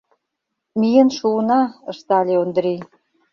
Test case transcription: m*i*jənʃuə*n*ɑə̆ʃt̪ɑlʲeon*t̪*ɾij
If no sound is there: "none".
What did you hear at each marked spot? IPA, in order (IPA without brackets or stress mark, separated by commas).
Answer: i, n, d̪